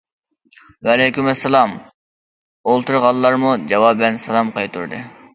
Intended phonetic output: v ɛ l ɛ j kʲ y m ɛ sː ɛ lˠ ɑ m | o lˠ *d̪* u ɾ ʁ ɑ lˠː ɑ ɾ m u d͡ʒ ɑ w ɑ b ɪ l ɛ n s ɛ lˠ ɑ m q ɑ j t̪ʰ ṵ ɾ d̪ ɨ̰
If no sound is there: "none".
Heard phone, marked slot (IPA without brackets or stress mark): t̪